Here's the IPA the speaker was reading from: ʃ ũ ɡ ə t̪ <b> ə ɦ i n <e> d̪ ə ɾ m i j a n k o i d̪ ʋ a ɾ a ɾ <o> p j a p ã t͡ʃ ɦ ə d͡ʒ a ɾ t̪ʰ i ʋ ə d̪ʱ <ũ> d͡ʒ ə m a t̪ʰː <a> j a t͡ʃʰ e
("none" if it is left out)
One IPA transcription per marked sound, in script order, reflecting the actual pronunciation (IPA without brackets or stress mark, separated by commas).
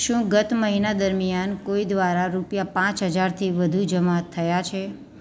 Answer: m, a, u, u, ə